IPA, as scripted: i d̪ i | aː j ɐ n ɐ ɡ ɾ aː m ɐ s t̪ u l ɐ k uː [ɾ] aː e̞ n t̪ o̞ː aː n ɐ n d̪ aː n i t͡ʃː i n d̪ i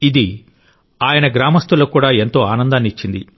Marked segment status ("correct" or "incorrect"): incorrect